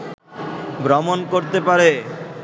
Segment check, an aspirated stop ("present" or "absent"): absent